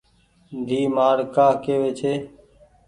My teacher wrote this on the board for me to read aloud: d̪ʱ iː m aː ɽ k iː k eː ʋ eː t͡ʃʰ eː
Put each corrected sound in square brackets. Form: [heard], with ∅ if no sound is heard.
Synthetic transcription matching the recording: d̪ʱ iː m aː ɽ k [aː] k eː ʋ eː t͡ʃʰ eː